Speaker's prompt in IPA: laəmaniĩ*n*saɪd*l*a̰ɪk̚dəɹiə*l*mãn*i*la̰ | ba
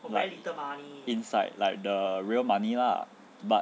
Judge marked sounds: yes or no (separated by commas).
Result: yes, yes, yes, yes